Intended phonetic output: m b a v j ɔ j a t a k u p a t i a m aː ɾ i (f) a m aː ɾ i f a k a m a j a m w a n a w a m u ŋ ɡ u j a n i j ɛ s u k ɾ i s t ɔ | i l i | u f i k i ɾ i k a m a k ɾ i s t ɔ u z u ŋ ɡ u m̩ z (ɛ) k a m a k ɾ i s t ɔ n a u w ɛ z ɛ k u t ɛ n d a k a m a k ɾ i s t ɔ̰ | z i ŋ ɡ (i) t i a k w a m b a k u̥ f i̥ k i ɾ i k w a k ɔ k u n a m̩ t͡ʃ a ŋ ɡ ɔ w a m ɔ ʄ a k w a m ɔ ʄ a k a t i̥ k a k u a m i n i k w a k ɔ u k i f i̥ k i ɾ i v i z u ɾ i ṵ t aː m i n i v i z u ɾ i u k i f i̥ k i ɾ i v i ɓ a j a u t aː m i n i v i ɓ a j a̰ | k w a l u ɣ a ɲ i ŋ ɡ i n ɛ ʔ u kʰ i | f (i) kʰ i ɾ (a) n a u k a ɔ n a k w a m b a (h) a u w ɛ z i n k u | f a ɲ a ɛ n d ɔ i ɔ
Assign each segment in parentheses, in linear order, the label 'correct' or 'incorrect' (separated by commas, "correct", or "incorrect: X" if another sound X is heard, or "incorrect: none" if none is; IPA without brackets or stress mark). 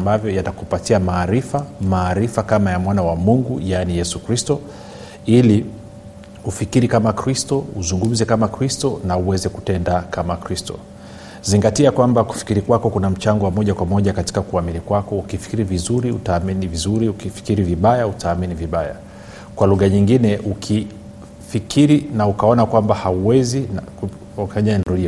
correct, correct, incorrect: a, correct, incorrect: i, correct